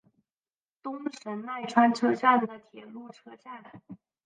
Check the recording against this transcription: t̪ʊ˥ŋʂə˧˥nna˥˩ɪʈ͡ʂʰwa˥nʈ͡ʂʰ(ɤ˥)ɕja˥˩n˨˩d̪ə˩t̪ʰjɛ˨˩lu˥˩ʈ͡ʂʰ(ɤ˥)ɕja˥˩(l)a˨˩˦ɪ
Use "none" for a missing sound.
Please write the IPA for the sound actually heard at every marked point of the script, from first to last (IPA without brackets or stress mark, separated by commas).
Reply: ɤ˥, ɤ˥, l